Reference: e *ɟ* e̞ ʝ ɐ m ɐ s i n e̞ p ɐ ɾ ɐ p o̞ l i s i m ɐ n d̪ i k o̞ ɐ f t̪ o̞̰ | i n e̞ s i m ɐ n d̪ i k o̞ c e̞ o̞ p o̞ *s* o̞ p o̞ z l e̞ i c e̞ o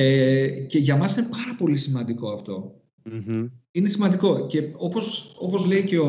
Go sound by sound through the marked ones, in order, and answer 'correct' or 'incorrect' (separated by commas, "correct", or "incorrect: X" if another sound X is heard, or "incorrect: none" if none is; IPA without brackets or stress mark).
incorrect: c, correct